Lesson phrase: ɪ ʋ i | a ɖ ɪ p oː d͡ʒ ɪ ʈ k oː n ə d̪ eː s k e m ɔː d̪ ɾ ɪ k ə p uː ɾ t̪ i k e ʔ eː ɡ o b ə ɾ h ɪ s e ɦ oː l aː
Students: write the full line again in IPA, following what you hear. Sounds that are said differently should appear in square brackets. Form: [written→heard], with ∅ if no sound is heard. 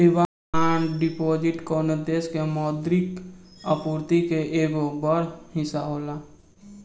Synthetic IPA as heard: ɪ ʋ [i→a] | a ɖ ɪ p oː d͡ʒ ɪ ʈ k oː n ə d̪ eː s k e m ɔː d̪ ɾ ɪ k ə p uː ɾ t̪ i k e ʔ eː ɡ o b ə ɾ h ɪ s [e→a] ɦ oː l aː